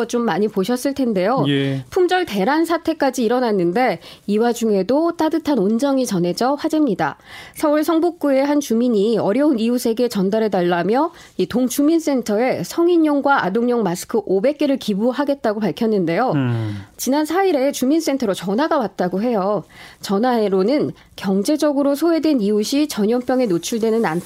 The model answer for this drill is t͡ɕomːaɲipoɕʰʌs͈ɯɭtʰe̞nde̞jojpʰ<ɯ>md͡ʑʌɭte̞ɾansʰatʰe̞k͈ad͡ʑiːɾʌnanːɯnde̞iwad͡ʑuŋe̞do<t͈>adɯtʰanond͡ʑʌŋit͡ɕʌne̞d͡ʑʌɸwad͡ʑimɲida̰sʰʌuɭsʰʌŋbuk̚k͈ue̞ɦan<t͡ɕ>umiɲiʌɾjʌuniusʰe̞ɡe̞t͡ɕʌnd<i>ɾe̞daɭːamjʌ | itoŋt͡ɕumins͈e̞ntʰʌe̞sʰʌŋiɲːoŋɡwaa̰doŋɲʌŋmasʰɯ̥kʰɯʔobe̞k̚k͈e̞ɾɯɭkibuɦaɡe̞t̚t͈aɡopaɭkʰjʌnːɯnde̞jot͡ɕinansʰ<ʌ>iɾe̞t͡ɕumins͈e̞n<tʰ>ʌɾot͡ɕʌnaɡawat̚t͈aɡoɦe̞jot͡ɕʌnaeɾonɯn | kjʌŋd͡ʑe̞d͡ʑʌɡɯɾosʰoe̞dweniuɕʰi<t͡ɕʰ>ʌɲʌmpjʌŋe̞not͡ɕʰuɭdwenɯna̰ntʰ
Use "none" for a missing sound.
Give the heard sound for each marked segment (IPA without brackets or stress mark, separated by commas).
u, t͈, t͡ɕ, a, a, tʰ, t͡ɕ